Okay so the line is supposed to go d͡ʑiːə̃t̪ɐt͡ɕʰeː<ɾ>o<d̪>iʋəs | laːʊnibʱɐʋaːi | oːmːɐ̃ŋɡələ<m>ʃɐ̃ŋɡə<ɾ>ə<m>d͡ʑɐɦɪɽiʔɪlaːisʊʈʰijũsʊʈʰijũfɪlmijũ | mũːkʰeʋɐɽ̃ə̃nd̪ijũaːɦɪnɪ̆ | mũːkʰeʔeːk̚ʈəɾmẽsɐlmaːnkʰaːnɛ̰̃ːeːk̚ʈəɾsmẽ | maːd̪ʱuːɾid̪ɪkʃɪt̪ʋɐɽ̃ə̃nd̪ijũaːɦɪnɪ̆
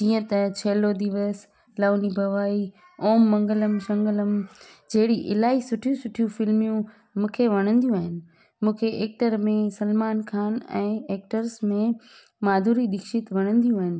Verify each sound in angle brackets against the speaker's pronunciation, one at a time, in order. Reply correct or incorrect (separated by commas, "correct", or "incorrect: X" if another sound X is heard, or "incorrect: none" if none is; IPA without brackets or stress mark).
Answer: incorrect: l, correct, correct, incorrect: l, correct